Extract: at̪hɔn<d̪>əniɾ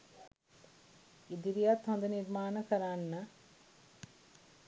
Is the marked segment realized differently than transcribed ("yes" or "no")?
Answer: no